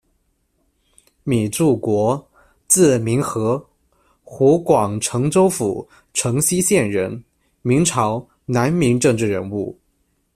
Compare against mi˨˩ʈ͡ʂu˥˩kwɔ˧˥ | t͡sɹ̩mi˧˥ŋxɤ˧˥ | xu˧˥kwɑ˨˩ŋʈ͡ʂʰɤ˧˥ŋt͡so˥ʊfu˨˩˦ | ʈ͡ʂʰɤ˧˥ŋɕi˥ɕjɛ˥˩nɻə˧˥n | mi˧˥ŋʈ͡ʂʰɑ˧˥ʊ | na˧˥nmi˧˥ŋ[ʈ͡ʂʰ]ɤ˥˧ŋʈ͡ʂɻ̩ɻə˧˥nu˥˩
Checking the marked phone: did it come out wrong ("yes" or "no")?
yes